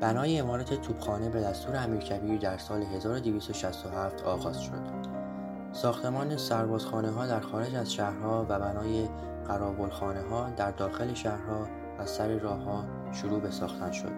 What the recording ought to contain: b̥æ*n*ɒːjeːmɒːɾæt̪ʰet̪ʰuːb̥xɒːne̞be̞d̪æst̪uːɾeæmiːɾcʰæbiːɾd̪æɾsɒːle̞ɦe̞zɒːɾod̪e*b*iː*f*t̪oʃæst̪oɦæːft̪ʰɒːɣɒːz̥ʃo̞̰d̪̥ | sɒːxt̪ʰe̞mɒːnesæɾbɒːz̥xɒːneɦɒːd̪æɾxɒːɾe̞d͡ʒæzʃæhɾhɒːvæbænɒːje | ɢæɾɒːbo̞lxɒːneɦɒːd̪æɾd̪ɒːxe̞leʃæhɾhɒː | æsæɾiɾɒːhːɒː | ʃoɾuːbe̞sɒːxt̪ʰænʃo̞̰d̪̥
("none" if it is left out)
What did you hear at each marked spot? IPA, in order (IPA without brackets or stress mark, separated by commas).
n, v, s